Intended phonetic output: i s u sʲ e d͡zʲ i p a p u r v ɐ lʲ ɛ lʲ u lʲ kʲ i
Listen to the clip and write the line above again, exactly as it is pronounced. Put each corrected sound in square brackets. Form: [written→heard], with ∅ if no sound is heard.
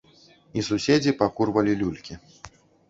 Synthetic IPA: i s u sʲ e d͡zʲ i p a [p→k] u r v ɐ lʲ [ɛ→i] lʲ u lʲ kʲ i